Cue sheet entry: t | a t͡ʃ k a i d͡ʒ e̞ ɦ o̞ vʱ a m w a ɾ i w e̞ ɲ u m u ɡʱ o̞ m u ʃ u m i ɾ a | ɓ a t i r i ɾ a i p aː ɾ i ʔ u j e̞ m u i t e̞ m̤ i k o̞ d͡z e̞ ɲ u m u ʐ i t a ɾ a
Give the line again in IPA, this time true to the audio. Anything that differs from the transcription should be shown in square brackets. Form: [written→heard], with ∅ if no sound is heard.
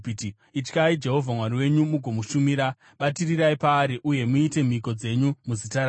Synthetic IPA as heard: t | [a→i] t͡ʃ k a i d͡ʒ e̞ ɦ o̞ vʱ a m w a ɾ i w e̞ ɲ u m u ɡʱ o̞ m u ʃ u m i ɾ a | ɓ a t i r i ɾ a i p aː ɾ i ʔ u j e̞ m u i t e̞ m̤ i k o̞ d͡z e̞ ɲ u m u [ʐ→z] i t a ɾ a